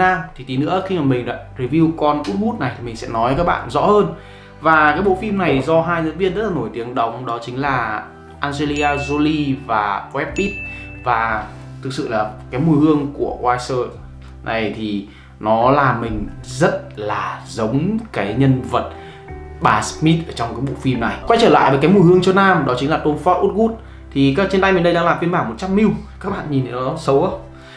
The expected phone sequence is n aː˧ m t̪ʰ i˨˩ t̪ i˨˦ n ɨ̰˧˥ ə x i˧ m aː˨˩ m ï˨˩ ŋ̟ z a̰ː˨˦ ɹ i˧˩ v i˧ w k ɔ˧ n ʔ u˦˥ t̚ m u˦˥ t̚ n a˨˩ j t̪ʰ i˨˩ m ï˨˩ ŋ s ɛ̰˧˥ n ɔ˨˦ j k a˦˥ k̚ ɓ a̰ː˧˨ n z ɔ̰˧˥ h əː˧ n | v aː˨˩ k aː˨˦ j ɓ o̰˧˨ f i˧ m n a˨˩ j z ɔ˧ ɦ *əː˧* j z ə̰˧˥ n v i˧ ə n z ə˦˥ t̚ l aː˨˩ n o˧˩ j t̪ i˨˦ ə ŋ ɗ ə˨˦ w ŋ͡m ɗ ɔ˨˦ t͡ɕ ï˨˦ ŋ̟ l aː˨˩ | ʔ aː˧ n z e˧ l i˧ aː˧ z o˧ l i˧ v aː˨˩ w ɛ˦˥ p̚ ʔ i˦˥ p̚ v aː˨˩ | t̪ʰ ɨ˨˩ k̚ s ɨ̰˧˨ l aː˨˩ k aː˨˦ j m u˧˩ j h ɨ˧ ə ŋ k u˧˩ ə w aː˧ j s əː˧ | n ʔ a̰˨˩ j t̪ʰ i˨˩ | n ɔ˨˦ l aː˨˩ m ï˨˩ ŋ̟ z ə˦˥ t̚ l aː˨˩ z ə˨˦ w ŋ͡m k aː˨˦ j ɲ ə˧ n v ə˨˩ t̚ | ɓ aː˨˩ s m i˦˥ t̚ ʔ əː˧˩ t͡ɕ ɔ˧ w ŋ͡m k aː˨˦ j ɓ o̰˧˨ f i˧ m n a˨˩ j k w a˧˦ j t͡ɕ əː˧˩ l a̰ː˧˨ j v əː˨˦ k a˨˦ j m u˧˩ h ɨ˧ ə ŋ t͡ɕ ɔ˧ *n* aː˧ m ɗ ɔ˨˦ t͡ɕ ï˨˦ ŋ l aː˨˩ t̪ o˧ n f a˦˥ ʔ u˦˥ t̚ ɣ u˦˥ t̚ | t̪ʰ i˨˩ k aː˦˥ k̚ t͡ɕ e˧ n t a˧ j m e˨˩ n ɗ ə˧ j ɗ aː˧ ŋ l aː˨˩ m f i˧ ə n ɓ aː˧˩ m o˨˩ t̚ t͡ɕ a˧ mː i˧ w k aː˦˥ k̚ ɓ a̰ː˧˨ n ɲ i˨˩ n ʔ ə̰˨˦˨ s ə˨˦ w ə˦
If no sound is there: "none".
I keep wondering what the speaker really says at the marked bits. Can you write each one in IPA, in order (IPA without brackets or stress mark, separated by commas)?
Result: aː˧, n